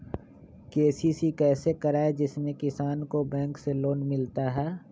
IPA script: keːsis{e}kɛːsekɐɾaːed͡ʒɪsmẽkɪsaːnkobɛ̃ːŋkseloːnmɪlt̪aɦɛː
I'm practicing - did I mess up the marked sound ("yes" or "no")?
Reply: yes